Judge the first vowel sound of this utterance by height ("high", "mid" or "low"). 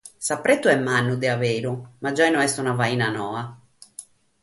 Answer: low